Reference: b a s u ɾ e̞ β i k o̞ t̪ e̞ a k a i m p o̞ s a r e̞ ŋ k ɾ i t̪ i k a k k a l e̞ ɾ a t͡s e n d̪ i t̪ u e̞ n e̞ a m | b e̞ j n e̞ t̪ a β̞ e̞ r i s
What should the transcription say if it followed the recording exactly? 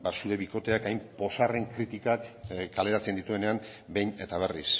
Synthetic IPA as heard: b a s u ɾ e̞ β i k o̞ t̪ e̞ a k a j m p o̞ s a r e̞ ŋ k ɾ i t̪ i k a k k a l e̞ ɾ a t͡s e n d̪ i t̪ u e̞ n e̞ a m | b e̞ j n e̞ t̪ a β̞ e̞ r i s